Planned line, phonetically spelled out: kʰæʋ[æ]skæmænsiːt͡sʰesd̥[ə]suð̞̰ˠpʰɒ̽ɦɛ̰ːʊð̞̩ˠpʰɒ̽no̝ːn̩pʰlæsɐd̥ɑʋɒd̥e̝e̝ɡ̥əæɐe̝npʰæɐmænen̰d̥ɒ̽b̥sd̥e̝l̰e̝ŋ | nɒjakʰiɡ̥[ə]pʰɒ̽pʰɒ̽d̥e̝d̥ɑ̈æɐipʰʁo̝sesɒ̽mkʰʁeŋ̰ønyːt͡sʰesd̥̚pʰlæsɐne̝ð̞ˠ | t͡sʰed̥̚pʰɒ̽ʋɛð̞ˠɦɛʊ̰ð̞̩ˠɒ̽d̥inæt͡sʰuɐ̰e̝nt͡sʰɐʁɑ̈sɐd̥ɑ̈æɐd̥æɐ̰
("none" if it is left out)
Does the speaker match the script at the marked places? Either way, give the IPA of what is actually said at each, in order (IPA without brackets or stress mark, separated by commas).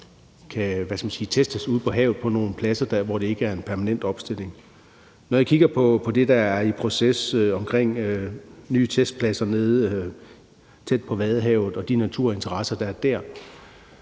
æ, ə, ɐ